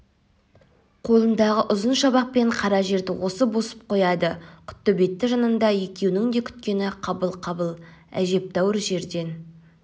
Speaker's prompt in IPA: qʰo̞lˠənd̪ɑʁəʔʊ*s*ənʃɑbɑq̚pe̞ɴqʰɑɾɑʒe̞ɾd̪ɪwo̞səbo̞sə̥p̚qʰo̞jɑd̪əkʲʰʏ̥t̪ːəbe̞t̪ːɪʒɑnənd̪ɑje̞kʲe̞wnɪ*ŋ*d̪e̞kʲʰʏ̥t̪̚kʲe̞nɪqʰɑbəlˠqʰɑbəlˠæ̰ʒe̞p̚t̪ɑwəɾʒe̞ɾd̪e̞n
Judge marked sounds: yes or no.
no, yes

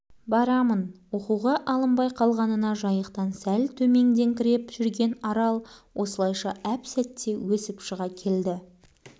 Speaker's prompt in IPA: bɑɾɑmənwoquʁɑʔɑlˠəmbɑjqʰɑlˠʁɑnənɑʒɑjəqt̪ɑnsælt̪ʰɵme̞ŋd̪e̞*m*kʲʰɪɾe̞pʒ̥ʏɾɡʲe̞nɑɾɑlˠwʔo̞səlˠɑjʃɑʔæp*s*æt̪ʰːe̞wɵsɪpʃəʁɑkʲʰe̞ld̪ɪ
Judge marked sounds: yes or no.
no, yes

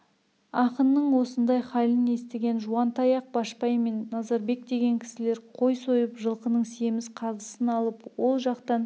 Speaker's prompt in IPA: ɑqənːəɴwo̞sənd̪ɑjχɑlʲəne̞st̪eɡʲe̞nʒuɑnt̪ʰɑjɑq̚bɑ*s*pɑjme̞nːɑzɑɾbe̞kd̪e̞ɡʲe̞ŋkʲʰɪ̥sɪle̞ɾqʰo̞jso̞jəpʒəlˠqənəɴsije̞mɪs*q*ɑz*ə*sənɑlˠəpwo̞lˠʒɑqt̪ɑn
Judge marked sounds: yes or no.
no, no, yes

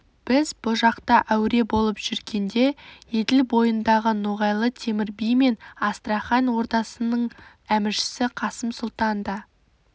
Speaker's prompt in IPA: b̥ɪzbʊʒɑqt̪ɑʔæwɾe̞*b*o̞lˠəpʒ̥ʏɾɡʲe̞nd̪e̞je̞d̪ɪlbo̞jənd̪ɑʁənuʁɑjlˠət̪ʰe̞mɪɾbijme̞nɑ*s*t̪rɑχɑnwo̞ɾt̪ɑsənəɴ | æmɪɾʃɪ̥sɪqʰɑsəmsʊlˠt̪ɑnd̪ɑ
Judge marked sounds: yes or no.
yes, yes

